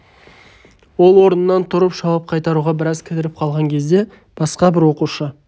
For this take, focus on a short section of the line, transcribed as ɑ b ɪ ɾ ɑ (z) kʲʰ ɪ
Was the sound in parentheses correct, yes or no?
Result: yes